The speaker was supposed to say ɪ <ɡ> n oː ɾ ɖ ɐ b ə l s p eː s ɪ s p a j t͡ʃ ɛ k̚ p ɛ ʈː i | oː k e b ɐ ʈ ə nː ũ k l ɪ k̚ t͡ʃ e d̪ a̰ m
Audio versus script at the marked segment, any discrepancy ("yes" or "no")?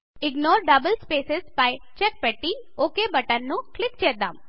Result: no